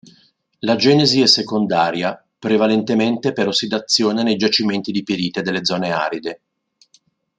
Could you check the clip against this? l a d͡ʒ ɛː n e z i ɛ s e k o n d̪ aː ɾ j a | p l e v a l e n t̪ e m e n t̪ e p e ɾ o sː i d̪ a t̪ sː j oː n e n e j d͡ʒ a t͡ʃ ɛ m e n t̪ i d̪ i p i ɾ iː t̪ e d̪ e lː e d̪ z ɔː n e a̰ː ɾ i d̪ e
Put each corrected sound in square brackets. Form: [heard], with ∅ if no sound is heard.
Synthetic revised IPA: l a d͡ʒ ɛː n e z i ɛ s e k o n d̪ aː ɾ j a | p [ɾ] e v a l e n t̪ e m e n t̪ e p e ɾ o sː i d̪ a t̪ sː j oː n e n e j d͡ʒ a t͡ʃ [i] m e n t̪ i d̪ i p i ɾ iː t̪ e d̪ e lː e d̪ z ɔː n e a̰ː ɾ i d̪ e